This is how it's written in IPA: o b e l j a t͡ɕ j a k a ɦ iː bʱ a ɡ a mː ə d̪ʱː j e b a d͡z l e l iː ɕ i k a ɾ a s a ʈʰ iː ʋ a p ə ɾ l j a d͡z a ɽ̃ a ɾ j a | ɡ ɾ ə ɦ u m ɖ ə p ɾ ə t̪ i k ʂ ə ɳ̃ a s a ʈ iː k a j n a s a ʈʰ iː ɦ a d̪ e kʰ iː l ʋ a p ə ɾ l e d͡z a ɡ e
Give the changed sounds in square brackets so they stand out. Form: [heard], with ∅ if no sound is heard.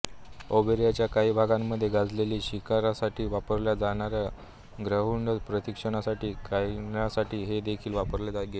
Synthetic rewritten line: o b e [ɾ] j a t͡ɕ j a k a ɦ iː bʱ a ɡ a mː ə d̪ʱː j e [ɡ] a d͡z l e l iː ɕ i k a ɾ a s a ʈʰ iː ʋ a p ə ɾ l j a d͡z a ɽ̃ a ɾ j a | ɡ ɾ ə ɦ u [ɳ] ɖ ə p ɾ ə t̪ i k ʂ ə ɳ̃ a s a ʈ iː k a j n a s a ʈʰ iː ɦ [e] d̪ e kʰ iː l ʋ a p ə ɾ l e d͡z a ɡ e